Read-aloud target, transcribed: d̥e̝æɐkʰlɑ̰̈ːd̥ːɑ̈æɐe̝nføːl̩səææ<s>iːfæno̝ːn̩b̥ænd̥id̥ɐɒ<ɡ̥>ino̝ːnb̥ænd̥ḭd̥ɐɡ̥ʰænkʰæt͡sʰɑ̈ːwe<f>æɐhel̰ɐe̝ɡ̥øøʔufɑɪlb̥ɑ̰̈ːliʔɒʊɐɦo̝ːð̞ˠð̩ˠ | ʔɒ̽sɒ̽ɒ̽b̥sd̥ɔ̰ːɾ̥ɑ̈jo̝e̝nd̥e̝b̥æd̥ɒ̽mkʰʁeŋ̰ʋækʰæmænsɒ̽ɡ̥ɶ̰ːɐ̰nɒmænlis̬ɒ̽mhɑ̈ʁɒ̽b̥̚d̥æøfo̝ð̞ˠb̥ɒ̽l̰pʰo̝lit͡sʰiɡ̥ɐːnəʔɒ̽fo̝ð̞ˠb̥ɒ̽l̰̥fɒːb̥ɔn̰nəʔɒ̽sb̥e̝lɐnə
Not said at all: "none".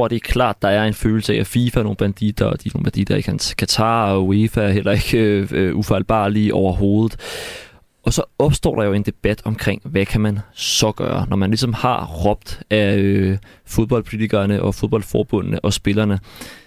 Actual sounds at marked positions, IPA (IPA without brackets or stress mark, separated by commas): f, d̥, f